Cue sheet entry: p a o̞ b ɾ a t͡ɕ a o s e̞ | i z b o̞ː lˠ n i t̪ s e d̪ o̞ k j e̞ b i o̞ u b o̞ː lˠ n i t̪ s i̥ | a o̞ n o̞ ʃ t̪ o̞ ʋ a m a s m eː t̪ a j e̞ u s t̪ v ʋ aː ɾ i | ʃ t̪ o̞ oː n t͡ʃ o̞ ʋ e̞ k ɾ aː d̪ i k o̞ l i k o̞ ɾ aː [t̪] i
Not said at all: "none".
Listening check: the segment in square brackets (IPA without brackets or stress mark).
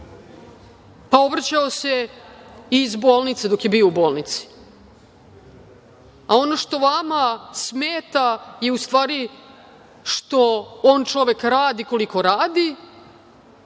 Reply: d̪